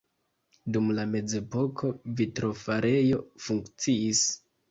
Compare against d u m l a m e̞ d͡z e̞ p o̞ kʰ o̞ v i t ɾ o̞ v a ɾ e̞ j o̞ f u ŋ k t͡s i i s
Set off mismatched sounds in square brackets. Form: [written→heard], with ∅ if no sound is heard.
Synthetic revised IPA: d u m l a m e̞ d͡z e̞ p o̞ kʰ o̞ v i t ɾ o̞ [v→f] a ɾ e̞ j o̞ f u ŋ k t͡s i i s